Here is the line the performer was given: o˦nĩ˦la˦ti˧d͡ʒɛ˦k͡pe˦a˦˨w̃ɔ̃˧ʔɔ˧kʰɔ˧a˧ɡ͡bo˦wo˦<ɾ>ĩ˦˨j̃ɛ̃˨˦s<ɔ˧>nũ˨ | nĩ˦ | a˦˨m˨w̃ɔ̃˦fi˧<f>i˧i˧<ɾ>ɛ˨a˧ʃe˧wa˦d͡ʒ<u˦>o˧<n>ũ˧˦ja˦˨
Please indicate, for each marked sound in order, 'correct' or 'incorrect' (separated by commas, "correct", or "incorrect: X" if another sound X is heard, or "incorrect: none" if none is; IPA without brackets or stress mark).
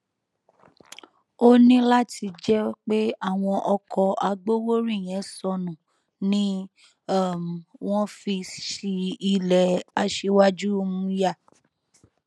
correct, correct, incorrect: ʃ, incorrect: l, correct, incorrect: m